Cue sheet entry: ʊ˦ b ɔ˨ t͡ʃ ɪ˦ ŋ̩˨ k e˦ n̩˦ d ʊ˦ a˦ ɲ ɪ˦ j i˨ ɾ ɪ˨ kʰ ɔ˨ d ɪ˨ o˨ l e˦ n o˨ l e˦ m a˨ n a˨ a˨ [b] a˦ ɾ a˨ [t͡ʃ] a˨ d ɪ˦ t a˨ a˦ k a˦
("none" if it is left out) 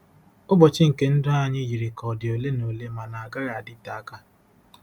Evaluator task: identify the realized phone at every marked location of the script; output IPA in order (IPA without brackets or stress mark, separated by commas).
ɡ, none